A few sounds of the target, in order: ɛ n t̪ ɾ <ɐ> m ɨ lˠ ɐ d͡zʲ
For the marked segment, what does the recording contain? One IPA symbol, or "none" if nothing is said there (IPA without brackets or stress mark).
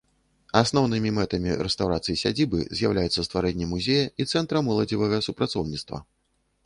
ɐ